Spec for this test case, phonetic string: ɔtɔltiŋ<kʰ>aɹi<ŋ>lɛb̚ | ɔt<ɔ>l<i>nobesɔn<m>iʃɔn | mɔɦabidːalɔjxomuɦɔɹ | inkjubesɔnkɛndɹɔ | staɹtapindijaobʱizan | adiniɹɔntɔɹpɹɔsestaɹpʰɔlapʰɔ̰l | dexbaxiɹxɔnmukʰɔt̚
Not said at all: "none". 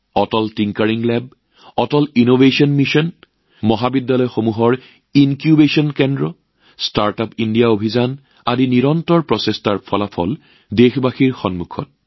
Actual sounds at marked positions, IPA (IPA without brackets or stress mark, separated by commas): k, ŋ, ɔ, i, m